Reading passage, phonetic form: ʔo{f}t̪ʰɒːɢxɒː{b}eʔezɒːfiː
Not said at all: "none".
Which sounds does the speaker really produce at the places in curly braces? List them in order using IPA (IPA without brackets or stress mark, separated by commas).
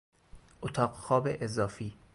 none, b